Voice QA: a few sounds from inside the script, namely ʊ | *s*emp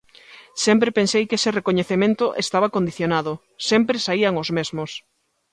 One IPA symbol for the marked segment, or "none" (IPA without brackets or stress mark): s